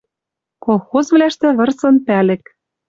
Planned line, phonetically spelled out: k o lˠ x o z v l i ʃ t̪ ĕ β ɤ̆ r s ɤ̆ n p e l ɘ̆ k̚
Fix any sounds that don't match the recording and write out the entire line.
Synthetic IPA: k o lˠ x o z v l æ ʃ t̪ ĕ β ɤ̆ r s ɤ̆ n p æ l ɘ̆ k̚